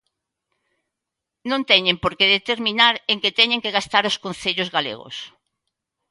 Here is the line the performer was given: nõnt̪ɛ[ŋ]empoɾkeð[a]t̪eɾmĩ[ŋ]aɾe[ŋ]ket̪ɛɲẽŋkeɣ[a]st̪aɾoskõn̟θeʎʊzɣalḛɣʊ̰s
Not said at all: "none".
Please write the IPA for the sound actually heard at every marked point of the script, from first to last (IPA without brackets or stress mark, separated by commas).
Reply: ɲ, e, n, ŋ, a